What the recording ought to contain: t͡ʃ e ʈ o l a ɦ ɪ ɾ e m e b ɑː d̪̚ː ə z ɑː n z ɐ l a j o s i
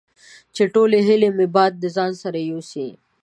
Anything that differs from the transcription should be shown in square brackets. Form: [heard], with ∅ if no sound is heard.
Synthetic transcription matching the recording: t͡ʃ e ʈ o l [e] ɦ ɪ [l] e m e b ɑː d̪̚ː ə z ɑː n [s] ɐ [ɾ] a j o s i